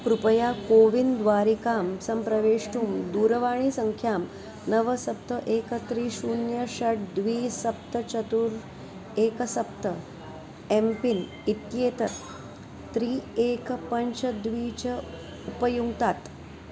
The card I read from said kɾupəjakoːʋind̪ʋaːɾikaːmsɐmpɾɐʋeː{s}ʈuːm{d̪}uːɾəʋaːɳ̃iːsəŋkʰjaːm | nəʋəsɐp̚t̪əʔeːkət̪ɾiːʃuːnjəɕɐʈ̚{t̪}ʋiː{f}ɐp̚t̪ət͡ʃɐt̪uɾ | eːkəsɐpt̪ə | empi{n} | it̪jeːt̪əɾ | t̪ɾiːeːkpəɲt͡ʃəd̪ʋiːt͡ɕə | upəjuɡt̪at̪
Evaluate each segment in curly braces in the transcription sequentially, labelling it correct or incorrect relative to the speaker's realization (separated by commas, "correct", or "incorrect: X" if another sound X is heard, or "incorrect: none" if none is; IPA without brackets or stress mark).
incorrect: ʂ, correct, incorrect: d̪, incorrect: s, correct